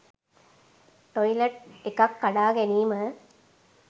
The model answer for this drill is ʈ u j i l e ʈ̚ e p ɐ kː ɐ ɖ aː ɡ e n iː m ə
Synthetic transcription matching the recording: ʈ o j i l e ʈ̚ e k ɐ kː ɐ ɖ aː ɡ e n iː m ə